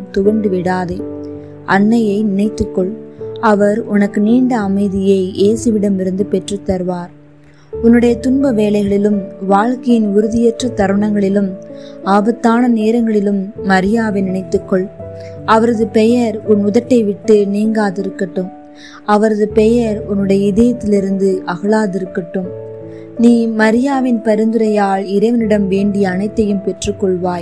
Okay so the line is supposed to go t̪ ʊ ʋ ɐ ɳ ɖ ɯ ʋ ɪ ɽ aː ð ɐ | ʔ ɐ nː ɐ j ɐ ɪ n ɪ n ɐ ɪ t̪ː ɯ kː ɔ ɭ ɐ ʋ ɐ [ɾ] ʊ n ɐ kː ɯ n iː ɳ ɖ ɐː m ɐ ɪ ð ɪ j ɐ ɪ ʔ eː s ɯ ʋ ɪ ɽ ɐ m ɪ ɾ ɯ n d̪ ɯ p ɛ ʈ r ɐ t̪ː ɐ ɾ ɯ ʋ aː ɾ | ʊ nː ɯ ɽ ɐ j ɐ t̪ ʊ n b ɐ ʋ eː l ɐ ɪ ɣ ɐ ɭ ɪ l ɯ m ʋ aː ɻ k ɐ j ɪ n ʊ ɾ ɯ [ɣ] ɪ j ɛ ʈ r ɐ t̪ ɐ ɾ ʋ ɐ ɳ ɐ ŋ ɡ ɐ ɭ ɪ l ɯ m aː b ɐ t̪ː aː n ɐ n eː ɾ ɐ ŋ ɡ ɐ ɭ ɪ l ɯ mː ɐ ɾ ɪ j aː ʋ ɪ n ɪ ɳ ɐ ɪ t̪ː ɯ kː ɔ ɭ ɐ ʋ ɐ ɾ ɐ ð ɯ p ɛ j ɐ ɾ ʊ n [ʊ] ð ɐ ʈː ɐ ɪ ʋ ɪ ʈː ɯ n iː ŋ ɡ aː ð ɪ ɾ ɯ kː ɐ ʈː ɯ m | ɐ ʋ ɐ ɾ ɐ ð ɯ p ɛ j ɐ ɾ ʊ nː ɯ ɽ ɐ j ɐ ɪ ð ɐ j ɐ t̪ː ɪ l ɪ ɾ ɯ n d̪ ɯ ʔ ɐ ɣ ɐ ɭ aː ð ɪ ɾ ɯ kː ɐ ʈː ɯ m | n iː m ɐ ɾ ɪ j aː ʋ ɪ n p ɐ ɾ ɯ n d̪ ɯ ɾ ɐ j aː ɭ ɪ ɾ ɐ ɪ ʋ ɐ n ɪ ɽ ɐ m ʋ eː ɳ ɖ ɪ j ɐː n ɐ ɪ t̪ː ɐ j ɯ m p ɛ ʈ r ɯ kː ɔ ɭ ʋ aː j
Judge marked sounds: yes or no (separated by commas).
yes, no, yes